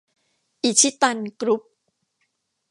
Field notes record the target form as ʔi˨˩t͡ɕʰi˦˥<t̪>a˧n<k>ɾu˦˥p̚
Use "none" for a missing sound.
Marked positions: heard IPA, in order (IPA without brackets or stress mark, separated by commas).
t̪, k